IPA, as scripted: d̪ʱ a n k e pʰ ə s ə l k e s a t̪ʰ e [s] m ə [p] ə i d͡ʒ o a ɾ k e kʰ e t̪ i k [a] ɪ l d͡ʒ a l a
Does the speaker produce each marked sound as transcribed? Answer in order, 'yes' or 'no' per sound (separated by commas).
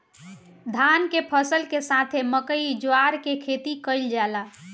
no, no, no